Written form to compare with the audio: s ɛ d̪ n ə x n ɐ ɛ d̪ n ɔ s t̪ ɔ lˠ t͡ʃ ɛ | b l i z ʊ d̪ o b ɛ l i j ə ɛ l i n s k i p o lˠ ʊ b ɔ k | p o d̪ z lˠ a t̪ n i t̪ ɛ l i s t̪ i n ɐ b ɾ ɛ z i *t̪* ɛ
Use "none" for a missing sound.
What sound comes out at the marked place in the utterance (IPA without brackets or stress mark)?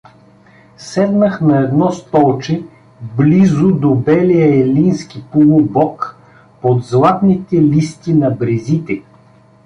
t̪